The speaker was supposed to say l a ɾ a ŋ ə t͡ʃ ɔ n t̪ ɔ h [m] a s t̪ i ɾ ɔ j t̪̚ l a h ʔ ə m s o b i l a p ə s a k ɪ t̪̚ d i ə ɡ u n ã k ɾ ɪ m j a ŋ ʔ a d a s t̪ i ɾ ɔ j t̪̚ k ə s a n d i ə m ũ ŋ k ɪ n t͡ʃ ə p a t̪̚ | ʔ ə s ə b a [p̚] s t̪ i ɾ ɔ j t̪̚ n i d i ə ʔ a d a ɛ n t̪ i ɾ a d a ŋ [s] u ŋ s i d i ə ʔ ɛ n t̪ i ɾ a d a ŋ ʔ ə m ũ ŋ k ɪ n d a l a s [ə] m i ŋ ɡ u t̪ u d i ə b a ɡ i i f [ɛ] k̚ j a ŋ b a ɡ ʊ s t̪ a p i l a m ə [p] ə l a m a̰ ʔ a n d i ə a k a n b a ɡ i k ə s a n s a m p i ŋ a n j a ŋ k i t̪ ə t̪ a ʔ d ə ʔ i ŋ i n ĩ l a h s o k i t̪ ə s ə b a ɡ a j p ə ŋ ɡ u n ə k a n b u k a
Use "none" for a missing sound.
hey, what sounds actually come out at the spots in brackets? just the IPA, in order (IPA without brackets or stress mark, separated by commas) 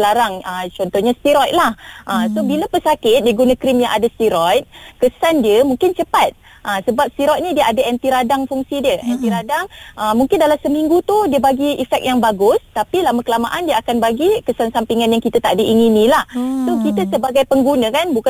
ɲ, p̚, f, ə, ɛ, k